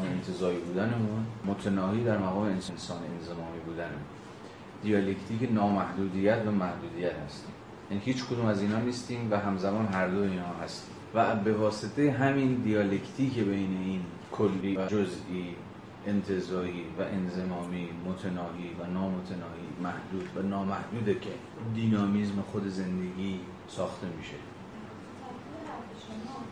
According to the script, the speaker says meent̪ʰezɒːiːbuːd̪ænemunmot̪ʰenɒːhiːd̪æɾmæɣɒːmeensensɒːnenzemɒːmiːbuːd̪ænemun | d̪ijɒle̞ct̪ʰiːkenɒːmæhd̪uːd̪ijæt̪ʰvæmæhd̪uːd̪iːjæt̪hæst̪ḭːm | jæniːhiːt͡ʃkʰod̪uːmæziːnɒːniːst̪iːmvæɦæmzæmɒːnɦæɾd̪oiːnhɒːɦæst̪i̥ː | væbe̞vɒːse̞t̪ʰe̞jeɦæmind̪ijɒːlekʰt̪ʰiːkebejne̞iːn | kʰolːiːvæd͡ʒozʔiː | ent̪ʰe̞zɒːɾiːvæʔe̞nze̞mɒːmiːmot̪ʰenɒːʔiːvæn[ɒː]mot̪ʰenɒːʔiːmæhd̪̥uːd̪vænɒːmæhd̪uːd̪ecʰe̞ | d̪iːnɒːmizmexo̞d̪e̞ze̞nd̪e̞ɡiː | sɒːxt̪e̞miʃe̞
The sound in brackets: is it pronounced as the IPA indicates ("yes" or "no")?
yes